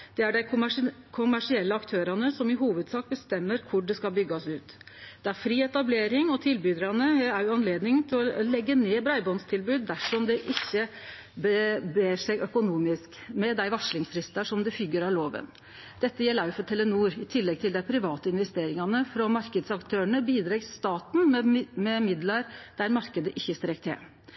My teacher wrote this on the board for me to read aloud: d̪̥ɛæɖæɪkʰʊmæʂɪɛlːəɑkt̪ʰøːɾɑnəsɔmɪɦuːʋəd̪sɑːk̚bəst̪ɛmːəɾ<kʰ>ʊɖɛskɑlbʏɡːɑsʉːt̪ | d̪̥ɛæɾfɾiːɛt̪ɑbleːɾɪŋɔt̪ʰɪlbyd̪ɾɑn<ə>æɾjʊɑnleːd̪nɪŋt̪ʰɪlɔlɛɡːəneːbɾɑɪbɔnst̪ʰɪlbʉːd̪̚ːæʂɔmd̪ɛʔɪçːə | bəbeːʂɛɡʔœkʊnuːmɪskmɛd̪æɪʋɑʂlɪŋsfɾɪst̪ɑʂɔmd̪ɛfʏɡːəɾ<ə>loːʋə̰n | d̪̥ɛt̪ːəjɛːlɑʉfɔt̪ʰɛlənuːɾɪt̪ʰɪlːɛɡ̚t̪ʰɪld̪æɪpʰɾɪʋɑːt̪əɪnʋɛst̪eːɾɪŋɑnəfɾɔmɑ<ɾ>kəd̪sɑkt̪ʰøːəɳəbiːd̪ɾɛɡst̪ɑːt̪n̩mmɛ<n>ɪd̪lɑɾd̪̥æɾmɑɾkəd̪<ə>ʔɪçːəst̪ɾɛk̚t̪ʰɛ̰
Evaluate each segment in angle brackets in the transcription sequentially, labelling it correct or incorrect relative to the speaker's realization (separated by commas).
correct, correct, incorrect, correct, incorrect, correct